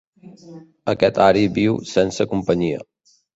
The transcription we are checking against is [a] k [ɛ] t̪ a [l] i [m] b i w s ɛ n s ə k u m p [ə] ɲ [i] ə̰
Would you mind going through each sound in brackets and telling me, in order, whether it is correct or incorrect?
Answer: incorrect: ə, correct, incorrect: ɾ, incorrect: none, correct, correct

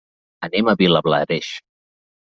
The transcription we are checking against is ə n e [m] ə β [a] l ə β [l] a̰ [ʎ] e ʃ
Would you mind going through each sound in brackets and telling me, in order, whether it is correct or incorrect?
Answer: correct, incorrect: i, correct, incorrect: ɾ

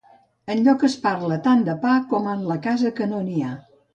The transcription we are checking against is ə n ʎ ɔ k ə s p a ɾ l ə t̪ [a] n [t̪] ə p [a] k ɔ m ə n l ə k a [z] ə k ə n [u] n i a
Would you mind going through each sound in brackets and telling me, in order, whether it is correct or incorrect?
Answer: correct, incorrect: d̪, correct, correct, incorrect: o

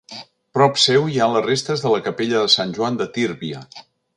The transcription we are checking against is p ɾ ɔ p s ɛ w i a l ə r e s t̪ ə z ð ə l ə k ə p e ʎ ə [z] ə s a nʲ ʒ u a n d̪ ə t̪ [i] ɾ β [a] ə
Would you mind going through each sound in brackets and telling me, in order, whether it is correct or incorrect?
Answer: incorrect: ð, correct, incorrect: i

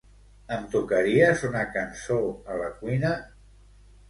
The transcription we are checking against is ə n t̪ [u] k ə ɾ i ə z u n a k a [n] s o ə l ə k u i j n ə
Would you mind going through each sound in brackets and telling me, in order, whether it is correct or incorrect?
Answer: correct, correct

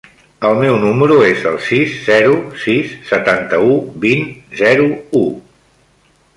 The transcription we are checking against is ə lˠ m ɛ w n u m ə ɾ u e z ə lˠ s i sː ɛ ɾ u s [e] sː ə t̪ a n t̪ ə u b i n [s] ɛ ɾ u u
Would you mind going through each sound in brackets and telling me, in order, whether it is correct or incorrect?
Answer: incorrect: i, incorrect: z

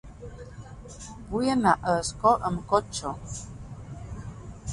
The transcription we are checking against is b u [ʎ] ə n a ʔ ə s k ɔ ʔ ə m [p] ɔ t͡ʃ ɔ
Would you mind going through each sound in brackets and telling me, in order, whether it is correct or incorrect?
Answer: incorrect: j, incorrect: k

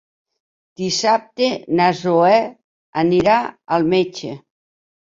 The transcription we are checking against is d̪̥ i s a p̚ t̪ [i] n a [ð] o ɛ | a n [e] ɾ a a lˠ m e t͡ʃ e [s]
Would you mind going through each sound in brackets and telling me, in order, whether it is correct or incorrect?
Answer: incorrect: e, incorrect: z, incorrect: i, incorrect: none

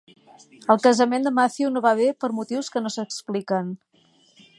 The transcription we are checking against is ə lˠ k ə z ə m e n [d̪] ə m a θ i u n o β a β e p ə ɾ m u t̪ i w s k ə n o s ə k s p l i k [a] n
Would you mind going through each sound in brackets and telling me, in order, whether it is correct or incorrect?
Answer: correct, incorrect: ə

